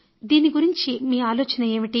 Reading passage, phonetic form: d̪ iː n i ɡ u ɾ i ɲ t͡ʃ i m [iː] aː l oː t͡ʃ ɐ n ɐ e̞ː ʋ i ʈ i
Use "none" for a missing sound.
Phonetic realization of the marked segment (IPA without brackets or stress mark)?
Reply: iː